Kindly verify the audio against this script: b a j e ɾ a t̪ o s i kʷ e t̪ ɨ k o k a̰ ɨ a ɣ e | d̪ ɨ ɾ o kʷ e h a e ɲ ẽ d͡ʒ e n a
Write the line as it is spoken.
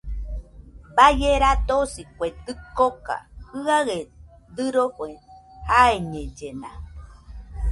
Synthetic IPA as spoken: b a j e ɾ a t̪ o s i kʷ e t̪ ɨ k o k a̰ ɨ a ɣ e | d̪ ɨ ɾ o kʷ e h a e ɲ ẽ d͡ʒ e n a